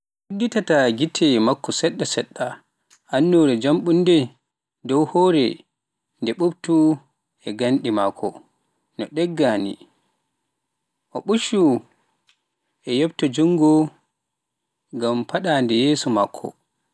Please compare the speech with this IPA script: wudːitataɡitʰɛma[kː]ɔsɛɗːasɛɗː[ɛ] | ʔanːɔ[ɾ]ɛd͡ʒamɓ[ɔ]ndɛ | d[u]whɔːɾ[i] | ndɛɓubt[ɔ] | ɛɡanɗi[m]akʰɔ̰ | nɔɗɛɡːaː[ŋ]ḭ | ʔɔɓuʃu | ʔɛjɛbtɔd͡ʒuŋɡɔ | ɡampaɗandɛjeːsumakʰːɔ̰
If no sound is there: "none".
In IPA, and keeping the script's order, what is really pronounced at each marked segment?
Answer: kː, a, ɾ, u, ɔ, ɛ, u, m, n

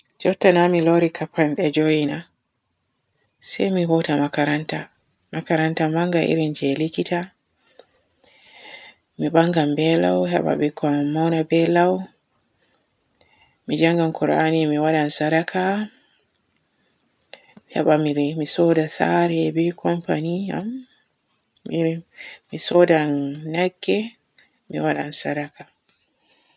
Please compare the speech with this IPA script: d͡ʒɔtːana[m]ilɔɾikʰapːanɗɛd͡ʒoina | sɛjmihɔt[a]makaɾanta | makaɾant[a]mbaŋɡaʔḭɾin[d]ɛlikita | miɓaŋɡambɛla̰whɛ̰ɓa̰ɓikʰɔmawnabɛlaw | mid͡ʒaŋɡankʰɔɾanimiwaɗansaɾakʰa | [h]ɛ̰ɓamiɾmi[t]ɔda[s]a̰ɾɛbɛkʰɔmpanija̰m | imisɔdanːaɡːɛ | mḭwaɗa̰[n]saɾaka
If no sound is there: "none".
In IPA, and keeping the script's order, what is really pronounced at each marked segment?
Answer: m, a, a, d͡ʒ, h, s, s, n

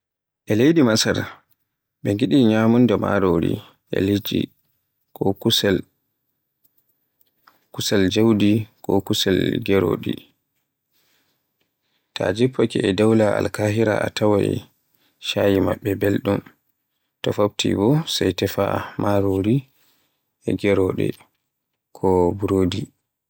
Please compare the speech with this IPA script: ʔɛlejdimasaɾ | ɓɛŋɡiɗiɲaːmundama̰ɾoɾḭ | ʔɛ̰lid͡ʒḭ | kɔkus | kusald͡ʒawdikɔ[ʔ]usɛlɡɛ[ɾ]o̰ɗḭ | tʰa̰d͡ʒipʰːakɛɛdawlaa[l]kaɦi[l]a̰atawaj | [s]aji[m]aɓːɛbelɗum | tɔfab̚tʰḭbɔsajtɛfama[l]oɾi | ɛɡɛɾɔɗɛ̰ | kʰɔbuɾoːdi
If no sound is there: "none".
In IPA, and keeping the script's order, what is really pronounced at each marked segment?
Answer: k, ɾ, l, ɾ, ʃ, m, ɾ

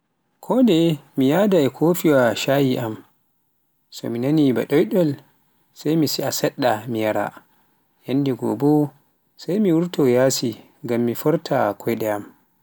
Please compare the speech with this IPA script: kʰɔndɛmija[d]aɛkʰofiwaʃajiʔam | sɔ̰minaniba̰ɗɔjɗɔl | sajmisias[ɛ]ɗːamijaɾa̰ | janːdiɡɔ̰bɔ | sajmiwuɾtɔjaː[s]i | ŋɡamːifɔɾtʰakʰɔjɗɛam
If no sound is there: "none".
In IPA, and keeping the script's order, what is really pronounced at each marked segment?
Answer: d, ɛ, s

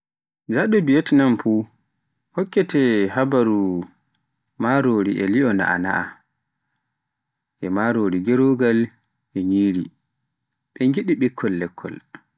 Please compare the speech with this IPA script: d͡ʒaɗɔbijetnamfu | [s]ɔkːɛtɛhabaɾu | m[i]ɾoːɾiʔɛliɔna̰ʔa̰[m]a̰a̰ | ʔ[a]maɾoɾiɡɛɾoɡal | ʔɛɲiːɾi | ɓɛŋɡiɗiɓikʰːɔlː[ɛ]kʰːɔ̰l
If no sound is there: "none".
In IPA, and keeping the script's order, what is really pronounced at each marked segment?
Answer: h, a, n, ɛ, ɛ

